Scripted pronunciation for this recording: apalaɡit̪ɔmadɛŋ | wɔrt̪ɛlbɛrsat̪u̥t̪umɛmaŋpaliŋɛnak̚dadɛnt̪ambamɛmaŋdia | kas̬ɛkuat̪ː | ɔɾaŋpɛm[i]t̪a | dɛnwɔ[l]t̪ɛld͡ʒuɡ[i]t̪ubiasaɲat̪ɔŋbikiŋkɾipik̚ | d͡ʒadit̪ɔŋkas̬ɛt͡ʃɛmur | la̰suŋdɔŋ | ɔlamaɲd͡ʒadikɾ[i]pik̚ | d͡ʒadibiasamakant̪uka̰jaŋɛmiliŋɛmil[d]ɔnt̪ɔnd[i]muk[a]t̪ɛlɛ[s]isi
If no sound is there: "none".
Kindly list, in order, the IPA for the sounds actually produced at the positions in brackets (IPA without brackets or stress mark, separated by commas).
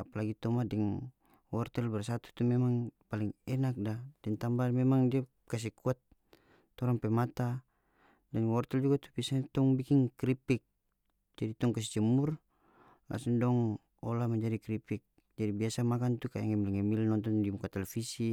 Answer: a, r, a, i, n, i, a, f